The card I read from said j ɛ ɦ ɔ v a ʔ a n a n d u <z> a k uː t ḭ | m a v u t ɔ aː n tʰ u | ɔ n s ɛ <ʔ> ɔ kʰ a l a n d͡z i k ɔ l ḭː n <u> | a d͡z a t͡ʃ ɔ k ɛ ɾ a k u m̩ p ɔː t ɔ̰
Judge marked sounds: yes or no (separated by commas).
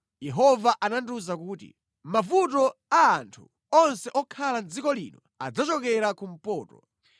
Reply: yes, yes, no